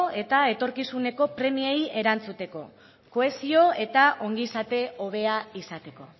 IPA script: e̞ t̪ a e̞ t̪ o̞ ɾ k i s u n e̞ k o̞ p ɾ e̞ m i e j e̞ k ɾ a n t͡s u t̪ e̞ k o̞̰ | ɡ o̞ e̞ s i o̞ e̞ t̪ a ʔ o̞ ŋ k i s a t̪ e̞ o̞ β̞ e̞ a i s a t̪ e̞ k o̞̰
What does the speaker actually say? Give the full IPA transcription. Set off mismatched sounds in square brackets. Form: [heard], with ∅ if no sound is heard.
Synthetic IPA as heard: e̞ t̪ a e̞ t̪ o̞ ɾ k i s u n e̞ k o̞ p ɾ e̞ m i e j e̞ [∅] ɾ a n t͡s u t̪ e̞ k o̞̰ | [k] o̞ e̞ s i o̞ e̞ t̪ a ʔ o̞ ŋ [ɡ] i s a t̪ e̞ o̞ β̞ e̞ a i s a t̪ e̞ k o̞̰